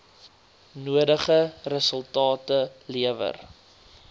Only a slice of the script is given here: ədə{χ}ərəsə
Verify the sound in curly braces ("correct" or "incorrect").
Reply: correct